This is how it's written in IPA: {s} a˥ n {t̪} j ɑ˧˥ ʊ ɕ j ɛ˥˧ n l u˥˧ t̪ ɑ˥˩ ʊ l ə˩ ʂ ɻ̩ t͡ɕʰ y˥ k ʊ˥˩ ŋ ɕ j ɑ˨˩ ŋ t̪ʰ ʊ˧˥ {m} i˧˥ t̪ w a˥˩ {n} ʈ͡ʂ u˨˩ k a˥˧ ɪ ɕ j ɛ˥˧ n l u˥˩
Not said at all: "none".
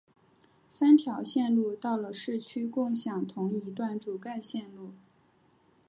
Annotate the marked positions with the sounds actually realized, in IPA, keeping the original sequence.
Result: s, t̪ʰ, ŋ, n

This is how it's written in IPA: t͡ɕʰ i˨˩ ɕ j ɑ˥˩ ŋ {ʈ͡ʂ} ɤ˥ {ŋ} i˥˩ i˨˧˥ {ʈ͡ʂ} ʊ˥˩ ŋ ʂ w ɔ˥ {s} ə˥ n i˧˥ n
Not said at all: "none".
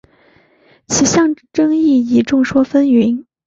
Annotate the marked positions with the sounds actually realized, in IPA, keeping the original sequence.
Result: ʈ͡ʂ, ŋ, ʈ͡ʂ, f

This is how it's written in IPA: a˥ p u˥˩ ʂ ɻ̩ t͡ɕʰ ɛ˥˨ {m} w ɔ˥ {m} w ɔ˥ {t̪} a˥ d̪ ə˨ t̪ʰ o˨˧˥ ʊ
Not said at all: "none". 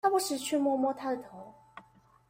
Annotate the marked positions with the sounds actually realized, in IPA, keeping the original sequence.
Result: m, m, t̪ʰ

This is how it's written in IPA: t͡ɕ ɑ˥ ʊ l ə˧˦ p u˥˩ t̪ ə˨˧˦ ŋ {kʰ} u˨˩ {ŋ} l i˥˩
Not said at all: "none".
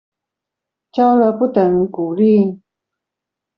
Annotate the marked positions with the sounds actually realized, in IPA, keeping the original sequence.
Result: k, none

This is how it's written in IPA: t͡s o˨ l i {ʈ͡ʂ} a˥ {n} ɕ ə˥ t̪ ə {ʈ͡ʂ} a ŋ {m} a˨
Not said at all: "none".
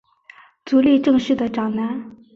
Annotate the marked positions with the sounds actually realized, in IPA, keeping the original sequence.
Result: ʈ͡ʂ, ŋ, ʈ͡ʂ, n

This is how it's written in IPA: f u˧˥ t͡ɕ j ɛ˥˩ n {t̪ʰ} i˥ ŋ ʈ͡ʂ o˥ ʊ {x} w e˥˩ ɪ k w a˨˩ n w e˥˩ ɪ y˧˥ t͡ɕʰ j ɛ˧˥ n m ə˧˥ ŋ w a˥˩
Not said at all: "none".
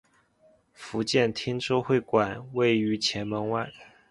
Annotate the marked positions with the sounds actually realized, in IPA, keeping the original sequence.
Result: t̪ʰ, x

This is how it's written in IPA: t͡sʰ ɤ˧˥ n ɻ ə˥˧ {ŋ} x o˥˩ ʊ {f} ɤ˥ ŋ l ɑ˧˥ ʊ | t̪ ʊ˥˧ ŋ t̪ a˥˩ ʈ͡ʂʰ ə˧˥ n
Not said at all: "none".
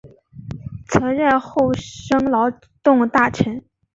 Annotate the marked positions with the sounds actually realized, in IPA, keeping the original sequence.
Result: n, ʂ

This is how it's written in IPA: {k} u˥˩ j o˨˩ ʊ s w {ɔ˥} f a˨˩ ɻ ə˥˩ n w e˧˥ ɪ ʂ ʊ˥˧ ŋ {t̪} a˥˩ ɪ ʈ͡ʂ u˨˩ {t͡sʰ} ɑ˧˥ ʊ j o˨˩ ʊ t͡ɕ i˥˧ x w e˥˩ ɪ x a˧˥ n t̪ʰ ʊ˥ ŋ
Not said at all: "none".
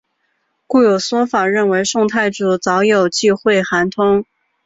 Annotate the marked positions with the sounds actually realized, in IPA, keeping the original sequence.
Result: k, ɔ˥, t̪ʰ, t͡s

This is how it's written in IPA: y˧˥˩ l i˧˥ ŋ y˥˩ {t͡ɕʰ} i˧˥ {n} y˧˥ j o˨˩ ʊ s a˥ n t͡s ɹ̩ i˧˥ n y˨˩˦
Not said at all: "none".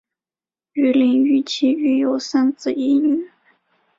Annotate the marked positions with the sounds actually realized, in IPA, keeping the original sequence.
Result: t͡ɕʰ, none

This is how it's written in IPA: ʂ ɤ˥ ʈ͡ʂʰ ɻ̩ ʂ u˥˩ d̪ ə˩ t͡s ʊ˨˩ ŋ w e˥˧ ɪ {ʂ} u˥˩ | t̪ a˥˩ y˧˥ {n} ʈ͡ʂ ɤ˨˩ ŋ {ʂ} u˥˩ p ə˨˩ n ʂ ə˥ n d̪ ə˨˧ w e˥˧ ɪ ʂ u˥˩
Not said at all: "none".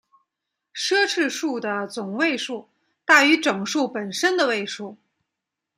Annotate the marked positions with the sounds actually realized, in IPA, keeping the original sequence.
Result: ʂ, none, ʂ

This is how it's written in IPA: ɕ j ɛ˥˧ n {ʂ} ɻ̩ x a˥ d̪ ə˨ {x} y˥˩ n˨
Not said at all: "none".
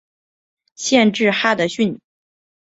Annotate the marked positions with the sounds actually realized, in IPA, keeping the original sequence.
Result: ʈ͡ʂ, ɕ

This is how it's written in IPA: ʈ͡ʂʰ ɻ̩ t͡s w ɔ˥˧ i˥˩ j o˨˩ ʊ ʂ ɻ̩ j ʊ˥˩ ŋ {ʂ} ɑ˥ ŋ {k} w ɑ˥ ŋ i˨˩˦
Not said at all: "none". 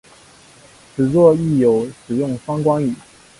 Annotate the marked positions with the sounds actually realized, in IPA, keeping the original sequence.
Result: f, k

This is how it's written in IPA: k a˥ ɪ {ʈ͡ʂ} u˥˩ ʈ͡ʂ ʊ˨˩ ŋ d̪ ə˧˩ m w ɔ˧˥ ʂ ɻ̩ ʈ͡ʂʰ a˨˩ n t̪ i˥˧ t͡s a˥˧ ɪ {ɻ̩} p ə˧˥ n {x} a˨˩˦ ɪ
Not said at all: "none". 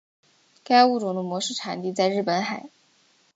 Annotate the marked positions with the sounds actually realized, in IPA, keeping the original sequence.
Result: none, ɻ̩, x

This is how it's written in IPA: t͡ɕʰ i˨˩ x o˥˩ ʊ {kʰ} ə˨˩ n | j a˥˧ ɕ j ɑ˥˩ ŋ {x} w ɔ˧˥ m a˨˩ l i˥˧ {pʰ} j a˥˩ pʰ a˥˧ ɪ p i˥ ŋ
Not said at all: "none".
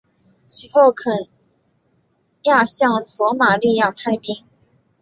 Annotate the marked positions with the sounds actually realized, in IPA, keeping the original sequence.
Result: kʰ, s, none

